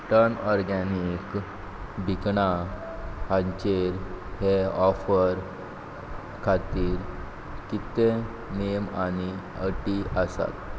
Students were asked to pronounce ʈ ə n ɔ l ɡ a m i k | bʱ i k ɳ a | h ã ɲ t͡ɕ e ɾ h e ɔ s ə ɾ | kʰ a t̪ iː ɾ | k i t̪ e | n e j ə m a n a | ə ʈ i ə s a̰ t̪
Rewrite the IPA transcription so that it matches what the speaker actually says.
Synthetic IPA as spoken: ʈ ə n ɔ ɾ ɡ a n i k | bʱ i k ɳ a | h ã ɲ t͡ɕ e ɾ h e ɔ f ə ɾ | kʰ a t̪ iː ɾ | k i t̪ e | n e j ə m a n i | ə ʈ i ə s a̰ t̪